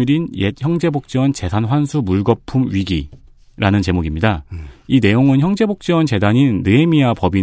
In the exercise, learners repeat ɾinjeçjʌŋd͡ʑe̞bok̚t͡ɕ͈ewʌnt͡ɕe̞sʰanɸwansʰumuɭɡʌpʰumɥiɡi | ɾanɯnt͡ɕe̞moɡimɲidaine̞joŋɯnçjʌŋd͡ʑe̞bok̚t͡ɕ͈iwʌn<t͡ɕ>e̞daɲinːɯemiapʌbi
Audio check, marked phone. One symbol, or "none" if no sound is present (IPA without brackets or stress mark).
t͡ɕ